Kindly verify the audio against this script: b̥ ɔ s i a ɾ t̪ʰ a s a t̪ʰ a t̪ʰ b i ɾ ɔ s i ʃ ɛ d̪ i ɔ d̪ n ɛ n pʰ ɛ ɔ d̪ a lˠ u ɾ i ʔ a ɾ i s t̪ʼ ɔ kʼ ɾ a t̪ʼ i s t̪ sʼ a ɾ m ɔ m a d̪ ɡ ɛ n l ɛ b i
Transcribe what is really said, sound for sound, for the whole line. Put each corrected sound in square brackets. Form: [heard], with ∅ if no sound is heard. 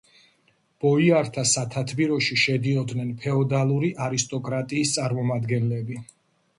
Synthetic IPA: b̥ ɔ [∅] i a ɾ t̪ʰ a s a t̪ʰ a t̪ʰ b i ɾ ɔ [ʃ] i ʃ ɛ d̪ i ɔ d̪ n ɛ n pʰ ɛ ɔ d̪ a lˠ u ɾ i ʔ a ɾ i s t̪ʼ ɔ kʼ ɾ a t̪ʼ [iː] s t̪ sʼ a ɾ m ɔ m a d̪ ɡ ɛ n l ɛ b i